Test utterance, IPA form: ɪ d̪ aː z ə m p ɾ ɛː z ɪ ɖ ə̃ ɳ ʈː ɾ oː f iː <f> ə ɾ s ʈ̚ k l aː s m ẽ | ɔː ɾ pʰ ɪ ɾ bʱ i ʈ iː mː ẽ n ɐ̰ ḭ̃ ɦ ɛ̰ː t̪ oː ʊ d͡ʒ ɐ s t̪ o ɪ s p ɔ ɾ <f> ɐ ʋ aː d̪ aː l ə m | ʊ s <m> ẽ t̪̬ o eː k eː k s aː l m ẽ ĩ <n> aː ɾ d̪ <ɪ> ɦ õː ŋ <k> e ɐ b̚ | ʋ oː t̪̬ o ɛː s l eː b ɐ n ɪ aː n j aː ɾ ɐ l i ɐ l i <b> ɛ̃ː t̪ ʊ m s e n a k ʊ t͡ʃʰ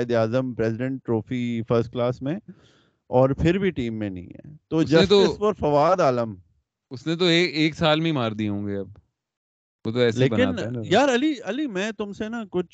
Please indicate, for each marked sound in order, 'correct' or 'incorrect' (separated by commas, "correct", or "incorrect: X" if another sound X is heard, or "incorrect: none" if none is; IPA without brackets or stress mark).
correct, correct, incorrect: n, incorrect: m, incorrect: i, incorrect: ɡ, incorrect: m